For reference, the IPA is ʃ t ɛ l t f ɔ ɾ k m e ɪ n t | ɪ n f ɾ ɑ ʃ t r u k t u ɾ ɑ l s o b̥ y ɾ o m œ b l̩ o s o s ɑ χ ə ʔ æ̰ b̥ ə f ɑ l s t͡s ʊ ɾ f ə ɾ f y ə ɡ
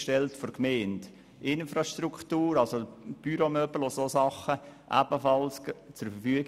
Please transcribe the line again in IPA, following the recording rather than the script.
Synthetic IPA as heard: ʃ t ɛ l t f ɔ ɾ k m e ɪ n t | ɪ n f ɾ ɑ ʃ t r u k t uː ɾ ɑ l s o b̥ y ɾ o m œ b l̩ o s o s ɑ χ ə ʔ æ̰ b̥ ə f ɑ l s t͡s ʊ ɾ f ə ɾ f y ə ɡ